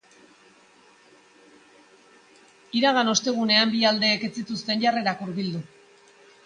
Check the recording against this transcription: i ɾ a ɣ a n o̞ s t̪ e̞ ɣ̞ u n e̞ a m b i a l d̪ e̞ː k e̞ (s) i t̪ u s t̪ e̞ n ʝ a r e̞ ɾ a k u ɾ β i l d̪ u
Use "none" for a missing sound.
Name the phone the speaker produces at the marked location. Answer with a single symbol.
t͡s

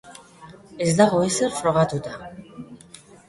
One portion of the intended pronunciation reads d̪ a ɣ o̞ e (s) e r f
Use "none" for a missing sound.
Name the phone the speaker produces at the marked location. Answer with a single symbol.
s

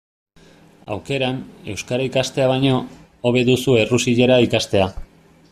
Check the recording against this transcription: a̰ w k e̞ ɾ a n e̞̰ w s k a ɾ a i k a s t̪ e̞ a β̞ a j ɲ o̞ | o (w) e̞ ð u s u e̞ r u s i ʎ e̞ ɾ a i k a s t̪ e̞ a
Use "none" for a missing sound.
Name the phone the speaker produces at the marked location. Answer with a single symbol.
β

